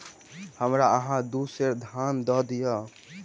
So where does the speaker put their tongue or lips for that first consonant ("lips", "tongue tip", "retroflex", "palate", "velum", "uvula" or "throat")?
throat